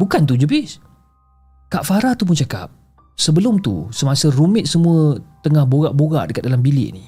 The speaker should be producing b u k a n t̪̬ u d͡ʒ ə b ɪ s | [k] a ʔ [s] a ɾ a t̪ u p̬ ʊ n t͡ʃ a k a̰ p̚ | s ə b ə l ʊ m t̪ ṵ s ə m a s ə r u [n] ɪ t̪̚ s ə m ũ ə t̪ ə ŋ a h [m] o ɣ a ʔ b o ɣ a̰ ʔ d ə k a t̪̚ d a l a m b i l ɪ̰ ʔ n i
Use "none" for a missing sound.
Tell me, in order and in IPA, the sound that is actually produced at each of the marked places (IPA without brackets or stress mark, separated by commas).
k, f, m, b